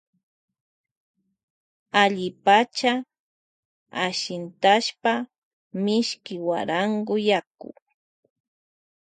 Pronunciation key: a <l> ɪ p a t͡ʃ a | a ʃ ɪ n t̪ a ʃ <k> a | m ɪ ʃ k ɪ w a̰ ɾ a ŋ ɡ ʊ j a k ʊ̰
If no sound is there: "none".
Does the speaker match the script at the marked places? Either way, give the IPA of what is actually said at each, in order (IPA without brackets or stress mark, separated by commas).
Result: ʎ, p